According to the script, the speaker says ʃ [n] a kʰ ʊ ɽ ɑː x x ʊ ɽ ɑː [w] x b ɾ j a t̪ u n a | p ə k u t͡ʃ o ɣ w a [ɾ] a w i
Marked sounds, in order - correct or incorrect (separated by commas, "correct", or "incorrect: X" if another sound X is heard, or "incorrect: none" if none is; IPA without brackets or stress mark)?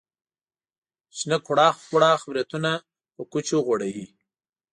correct, incorrect: none, incorrect: ɽ